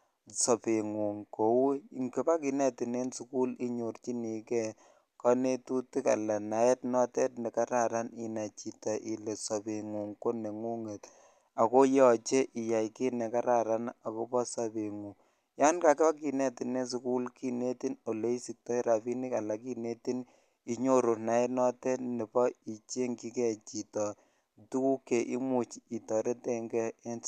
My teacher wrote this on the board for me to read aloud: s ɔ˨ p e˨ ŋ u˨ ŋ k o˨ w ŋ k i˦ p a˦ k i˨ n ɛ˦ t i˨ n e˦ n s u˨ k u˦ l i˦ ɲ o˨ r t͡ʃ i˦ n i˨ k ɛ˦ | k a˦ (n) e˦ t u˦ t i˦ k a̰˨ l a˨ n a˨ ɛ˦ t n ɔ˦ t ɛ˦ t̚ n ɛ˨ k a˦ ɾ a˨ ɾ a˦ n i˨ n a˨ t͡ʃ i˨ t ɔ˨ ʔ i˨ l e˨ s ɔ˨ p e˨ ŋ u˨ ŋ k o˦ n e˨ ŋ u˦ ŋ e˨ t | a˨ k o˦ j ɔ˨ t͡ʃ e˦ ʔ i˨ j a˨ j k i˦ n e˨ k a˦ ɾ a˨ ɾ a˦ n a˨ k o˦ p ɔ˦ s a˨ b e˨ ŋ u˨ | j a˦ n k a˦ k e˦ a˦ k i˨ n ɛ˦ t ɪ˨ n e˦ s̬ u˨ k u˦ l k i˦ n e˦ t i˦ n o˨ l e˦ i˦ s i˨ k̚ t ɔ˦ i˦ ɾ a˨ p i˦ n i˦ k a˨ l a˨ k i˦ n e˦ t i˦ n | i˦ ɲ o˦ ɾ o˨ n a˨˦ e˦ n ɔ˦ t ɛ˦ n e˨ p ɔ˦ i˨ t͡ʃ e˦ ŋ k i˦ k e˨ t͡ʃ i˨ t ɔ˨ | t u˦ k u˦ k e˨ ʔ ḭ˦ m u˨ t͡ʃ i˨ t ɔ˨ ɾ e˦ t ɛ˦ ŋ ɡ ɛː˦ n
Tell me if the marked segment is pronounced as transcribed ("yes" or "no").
yes